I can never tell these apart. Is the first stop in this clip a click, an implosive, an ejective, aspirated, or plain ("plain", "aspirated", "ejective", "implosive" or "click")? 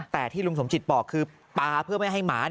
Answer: plain